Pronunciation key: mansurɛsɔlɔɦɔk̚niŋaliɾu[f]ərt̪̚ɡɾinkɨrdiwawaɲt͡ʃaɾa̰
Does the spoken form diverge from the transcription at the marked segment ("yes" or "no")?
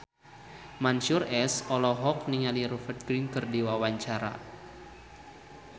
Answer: no